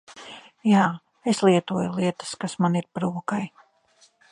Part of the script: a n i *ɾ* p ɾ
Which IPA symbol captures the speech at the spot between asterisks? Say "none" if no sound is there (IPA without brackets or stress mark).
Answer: ɾ